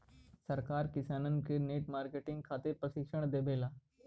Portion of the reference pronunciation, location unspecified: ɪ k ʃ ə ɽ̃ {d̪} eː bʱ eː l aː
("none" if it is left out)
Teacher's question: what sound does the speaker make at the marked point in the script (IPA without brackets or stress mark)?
d̪